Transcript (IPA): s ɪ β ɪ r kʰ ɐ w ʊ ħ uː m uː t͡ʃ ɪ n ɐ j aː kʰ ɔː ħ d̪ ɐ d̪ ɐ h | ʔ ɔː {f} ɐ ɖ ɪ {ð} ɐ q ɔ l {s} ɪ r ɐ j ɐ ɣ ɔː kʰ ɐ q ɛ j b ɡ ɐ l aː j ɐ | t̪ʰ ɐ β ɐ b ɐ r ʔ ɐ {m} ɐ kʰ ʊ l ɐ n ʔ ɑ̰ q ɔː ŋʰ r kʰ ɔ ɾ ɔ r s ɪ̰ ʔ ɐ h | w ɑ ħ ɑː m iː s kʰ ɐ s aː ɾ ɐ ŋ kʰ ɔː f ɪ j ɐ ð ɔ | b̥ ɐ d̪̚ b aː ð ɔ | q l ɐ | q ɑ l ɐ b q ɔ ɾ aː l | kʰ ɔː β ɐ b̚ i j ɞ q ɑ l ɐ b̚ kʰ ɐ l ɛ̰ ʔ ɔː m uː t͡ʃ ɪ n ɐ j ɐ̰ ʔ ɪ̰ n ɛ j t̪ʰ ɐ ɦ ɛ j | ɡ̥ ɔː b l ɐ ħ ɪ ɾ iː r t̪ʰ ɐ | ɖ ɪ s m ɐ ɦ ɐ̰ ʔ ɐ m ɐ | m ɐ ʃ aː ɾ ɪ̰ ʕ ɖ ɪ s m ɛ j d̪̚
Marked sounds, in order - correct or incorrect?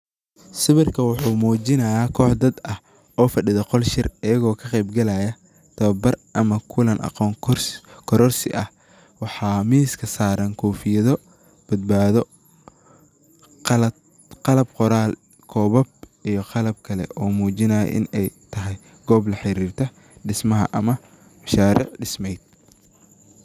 correct, correct, incorrect, correct

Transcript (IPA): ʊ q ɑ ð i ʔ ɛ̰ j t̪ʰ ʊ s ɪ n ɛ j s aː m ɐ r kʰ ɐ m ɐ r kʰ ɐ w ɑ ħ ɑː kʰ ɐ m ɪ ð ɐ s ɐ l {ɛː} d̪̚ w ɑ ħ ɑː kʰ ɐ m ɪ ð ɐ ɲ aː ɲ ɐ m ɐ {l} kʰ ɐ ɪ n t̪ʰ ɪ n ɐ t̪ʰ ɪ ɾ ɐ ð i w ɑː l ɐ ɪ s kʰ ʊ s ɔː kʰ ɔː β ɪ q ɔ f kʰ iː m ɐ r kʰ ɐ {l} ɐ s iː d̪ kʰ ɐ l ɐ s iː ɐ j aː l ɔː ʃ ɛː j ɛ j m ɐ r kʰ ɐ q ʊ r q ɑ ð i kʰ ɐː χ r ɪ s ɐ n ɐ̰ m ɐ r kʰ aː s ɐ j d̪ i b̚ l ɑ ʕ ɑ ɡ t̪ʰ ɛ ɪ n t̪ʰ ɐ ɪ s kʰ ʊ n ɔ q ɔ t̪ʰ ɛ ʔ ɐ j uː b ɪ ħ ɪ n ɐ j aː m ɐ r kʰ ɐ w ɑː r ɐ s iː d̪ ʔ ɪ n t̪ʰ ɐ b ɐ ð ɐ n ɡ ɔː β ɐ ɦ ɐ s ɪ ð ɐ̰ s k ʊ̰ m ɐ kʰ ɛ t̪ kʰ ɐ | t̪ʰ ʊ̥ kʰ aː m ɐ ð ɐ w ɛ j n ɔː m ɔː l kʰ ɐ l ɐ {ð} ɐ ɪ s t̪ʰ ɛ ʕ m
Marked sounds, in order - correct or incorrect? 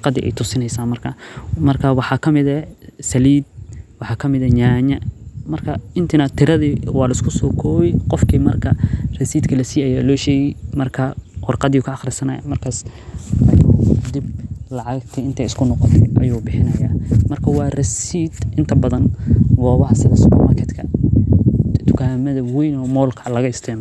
incorrect, incorrect, incorrect, incorrect

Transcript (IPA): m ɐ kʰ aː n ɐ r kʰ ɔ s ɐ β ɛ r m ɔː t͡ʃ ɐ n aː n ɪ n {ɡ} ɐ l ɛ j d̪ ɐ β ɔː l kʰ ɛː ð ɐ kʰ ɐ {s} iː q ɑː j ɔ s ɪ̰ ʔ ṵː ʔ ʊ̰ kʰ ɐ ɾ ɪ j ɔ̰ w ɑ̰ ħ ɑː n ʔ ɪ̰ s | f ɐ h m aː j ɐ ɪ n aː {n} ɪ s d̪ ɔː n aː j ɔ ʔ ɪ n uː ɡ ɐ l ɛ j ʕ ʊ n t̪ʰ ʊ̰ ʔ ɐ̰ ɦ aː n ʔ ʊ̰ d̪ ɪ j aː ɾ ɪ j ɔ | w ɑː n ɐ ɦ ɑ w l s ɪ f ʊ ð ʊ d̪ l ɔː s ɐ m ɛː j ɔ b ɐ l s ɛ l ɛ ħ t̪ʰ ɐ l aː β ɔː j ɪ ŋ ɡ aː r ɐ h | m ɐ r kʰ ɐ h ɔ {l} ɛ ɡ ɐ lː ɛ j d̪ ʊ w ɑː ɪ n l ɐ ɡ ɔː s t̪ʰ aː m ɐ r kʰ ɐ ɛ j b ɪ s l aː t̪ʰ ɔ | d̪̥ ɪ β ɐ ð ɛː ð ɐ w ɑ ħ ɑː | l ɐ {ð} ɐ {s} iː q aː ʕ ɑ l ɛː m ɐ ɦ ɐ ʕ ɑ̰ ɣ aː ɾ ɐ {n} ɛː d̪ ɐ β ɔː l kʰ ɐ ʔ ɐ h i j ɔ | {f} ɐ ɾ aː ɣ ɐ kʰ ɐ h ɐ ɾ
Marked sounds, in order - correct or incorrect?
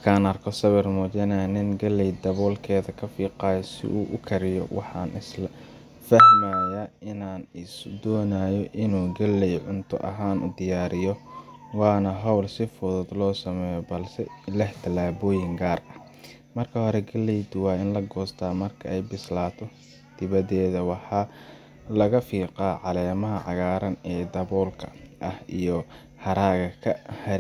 correct, incorrect, correct, incorrect, incorrect, incorrect, correct, incorrect

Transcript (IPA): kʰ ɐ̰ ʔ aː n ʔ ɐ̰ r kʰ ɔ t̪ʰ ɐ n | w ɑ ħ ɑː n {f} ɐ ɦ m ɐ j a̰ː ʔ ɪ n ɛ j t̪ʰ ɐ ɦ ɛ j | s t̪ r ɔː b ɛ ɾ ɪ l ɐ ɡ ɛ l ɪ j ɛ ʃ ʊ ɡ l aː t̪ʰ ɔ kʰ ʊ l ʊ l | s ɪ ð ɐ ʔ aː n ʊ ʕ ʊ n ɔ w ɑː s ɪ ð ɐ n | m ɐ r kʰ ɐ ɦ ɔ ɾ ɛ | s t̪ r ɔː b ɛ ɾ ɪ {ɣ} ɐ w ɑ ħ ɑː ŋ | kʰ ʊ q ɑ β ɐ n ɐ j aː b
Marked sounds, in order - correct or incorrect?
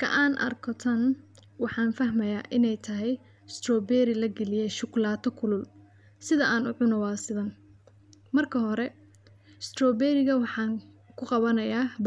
correct, correct

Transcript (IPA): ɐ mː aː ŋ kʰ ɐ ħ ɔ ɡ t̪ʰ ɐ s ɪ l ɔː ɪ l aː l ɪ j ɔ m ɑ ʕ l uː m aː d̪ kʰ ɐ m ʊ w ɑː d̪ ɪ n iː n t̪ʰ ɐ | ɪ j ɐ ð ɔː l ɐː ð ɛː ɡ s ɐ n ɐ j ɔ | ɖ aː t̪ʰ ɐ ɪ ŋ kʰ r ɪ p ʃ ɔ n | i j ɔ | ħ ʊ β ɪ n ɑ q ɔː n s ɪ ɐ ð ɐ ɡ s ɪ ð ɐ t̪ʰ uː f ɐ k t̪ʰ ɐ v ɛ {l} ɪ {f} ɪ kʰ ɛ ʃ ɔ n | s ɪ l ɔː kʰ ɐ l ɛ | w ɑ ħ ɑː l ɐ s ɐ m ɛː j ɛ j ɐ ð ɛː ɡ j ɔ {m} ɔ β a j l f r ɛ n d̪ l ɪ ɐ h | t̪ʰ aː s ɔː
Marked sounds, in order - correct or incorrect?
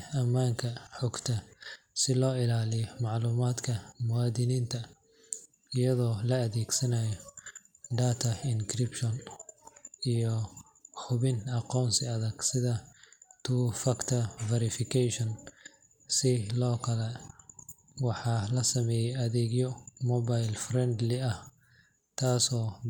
incorrect, correct, correct

